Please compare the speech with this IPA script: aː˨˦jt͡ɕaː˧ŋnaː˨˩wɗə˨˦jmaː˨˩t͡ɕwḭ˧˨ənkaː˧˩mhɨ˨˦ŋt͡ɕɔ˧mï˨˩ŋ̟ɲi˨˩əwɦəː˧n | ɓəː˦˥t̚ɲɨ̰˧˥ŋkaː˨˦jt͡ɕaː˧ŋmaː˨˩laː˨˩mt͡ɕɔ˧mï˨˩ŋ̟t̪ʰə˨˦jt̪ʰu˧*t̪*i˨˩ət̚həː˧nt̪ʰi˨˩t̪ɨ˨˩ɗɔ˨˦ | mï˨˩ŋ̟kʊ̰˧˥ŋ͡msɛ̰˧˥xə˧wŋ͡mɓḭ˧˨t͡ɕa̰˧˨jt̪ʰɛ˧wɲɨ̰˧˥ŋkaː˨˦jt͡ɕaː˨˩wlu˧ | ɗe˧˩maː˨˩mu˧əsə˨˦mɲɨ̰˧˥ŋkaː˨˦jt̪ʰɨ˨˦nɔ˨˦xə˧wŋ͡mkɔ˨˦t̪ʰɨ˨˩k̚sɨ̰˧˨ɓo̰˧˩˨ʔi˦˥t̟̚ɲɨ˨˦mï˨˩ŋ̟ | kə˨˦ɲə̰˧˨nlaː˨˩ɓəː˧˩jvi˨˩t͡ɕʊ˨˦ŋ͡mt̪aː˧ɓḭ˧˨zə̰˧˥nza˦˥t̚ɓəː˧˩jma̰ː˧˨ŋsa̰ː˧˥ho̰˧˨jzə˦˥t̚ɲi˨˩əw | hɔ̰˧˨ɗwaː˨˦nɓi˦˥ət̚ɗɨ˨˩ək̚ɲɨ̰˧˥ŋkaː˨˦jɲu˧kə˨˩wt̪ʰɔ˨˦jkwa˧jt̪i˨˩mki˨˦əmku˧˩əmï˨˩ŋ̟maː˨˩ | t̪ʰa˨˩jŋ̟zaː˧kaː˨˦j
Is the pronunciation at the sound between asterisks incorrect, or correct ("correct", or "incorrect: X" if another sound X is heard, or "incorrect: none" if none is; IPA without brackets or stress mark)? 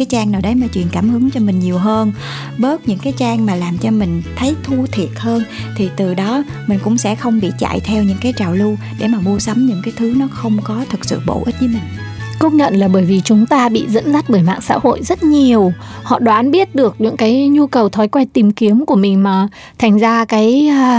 incorrect: t̪ʰ